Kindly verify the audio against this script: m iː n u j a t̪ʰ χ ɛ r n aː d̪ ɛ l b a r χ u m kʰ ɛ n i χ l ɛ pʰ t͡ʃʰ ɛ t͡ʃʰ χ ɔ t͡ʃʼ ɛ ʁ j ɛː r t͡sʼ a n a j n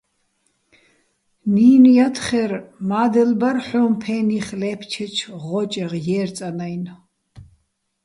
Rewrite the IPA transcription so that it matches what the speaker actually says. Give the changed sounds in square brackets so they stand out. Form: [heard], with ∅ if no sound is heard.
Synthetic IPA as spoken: [n] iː n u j a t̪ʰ χ ɛ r [m] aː d̪ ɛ l b a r [ħ] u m [pʰ] ɛ n i χ l ɛ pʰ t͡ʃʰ ɛ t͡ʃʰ [ʁ] ɔ t͡ʃʼ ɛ ʁ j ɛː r t͡sʼ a n a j n

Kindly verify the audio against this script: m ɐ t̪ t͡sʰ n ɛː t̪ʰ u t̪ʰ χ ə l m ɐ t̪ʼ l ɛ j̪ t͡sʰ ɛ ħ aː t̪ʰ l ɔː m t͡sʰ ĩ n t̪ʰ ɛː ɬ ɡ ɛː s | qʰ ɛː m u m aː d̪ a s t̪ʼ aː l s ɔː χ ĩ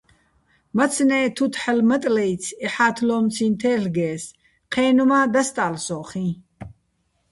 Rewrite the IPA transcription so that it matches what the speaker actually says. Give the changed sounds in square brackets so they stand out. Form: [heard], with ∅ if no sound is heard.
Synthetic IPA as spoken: m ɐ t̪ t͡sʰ n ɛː t̪ʰ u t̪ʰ [ħ] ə l m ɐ t̪ʼ l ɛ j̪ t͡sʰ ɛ ħ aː t̪ʰ l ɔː m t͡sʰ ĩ n t̪ʰ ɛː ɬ ɡ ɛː s | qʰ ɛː [n] u m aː d̪ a s t̪ʼ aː l s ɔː χ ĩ

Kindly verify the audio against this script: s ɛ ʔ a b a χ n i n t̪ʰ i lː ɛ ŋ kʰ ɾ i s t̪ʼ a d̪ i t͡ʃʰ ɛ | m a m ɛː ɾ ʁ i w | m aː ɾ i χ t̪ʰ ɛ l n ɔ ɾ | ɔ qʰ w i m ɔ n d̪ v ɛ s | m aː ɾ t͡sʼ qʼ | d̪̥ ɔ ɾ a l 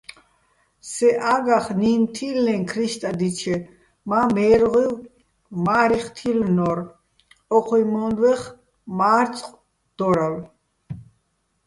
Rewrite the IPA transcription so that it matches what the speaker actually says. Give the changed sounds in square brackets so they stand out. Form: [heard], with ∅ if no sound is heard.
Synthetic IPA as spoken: s ɛ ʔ a [ɡ] a χ n i n t̪ʰ i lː ɛ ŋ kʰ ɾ i [ʃ] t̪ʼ a d̪ i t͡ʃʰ ɛ | m a m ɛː ɾ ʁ i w | m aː ɾ i χ t̪ʰ [i] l n ɔ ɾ | ɔ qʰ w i m ɔ n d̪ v ɛ [χ] | m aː ɾ t͡sʼ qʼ | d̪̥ ɔ ɾ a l

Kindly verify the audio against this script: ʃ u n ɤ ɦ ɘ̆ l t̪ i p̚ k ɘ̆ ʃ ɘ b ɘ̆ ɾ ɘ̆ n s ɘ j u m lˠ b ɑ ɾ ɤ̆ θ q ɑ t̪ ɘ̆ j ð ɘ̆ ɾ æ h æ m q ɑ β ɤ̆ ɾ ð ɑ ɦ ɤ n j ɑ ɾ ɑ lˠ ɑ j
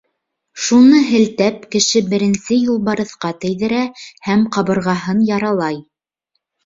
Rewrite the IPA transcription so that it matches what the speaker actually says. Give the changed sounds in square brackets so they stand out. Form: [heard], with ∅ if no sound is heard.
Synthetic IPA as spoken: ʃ u n ɤ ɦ ɘ̆ l t̪ [æ] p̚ k ɘ̆ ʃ ɘ b ɘ̆ ɾ ɘ̆ n s ɘ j u [∅] lˠ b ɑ ɾ ɤ̆ θ q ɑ t̪ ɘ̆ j ð ɘ̆ ɾ æ h æ m q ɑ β ɤ̆ ɾ [ʁ] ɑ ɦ ɤ n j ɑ ɾ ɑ lˠ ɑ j

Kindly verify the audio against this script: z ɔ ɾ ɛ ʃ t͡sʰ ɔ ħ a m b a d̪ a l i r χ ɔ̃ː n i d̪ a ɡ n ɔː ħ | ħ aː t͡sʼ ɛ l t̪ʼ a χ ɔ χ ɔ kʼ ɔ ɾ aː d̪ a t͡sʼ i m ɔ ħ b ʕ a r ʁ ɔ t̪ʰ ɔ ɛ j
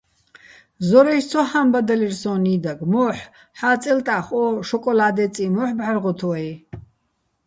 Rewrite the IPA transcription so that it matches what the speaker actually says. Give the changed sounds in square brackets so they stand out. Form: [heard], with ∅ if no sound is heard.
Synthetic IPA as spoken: z ɔ ɾ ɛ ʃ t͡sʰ ɔ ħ a m b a d̪ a l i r [s] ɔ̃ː n i d̪ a ɡ [m] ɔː ħ | ħ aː t͡sʼ ɛ l t̪ʼ a χ ɔ [ʃ] ɔ kʼ ɔ [l] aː d̪ [ɛ] t͡sʼ i m ɔ ħ b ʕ a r ʁ ɔ t̪ʰ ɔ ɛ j

